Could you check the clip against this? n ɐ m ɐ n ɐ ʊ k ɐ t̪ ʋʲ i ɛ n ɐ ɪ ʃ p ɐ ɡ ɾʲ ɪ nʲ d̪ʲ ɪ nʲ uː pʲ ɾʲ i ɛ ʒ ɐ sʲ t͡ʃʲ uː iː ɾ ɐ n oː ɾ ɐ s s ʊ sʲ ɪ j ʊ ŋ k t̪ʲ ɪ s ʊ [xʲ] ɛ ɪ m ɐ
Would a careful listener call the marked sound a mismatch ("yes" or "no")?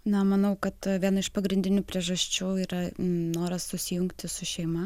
yes